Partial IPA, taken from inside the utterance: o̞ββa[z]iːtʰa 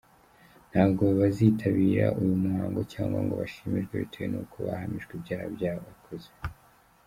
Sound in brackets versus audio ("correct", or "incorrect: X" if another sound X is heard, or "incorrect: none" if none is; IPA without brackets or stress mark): correct